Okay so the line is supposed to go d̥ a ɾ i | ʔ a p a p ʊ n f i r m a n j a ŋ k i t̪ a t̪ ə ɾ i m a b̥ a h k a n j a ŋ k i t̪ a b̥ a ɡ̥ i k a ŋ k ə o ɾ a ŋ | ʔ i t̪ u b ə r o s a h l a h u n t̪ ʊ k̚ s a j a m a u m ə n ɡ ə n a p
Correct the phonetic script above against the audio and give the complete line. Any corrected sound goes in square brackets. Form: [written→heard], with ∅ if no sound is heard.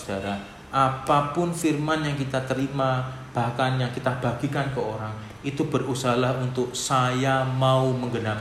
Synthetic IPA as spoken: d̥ a ɾ [i→a] | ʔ a p a p ʊ n f i r m a n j a ŋ k i t̪ a t̪ ə ɾ i m a b̥ a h k a n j a ŋ k i t̪ a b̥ a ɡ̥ i k a [ŋ→n] k ə o ɾ a ŋ | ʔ i t̪ u b ə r [o→u] s a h l a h u n t̪ ʊ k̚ s a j a m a u m ə [n→ŋ] ɡ ə n a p